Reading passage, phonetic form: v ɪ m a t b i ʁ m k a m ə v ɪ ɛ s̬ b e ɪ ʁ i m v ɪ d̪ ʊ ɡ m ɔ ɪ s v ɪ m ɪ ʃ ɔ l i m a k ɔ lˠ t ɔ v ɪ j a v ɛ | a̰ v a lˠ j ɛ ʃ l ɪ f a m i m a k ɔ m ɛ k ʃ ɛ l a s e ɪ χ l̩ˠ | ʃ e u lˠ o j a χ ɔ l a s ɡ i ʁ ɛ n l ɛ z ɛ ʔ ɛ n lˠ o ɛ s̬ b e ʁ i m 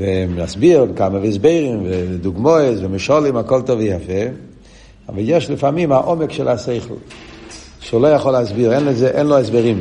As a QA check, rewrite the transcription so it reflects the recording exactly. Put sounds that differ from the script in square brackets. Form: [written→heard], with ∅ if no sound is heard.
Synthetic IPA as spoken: v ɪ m a [t→s] b i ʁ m k a m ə v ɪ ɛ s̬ b e ɪ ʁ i m v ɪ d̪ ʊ ɡ m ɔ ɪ s v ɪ m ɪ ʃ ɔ l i m a k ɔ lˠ t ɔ v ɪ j a [v→f] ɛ | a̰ v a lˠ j ɛ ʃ l ɪ f a m i m a [k→ʔ] ɔ m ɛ k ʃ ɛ l a s e ɪ χ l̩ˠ | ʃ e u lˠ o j a χ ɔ l a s [ɡ→b] i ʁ ɛ n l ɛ z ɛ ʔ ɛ n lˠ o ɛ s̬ b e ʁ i m